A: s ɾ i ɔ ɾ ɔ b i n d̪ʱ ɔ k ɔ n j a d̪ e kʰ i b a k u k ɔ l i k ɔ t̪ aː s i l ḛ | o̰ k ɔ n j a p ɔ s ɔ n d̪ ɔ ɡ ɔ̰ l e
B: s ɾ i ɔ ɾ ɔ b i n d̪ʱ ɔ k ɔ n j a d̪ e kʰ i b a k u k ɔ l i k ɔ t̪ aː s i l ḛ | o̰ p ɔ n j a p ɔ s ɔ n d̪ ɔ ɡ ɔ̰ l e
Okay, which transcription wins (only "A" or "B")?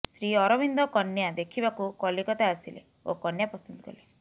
A